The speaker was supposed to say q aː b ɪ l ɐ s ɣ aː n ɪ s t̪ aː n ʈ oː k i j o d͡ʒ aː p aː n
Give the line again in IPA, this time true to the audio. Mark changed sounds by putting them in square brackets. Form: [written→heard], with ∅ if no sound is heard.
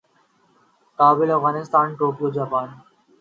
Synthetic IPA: [q→k] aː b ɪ l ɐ [s→f] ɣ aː n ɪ s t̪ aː n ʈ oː k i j o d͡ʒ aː p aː n